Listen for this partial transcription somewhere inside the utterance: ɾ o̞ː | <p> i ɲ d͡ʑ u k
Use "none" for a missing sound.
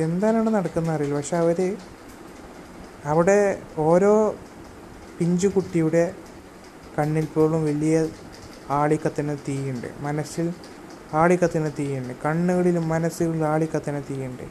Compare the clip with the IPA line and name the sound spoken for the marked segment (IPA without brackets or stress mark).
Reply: p